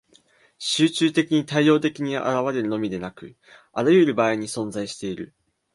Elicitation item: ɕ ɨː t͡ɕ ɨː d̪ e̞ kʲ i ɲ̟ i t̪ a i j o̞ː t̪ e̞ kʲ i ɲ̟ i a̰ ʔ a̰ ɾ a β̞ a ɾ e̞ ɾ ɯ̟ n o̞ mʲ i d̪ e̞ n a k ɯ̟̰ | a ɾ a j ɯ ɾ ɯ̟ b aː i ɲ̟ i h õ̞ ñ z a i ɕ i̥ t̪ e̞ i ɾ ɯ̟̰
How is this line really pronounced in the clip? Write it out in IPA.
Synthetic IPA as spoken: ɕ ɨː t͡ɕ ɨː t̪ e̞ kʲ i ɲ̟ i t̪ a i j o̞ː t̪ e̞ kʲ i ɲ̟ i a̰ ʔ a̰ ɾ a β̞ a ɾ e̞ ɾ ɯ̟ n o̞ mʲ i d̪ e̞ n a k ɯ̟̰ | a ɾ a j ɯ ɾ ɯ̟ b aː i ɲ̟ i s õ̞ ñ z a i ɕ i̥ t̪ e̞ i ɾ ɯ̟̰